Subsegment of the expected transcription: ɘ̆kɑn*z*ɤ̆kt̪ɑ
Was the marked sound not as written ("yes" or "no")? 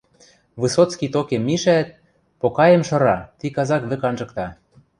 yes